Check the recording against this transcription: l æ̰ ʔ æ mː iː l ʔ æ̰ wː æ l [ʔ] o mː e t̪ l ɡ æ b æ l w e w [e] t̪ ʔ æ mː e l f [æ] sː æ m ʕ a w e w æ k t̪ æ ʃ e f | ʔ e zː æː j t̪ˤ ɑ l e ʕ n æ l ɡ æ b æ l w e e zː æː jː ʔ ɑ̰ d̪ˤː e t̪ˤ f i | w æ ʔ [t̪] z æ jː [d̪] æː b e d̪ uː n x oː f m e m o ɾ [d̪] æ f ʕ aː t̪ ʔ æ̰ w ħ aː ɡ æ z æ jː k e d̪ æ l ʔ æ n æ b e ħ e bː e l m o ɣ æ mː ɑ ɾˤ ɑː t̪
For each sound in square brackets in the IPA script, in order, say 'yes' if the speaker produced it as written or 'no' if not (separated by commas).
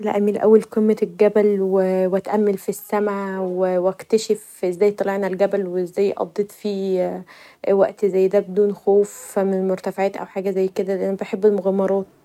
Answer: no, no, no, yes, yes, no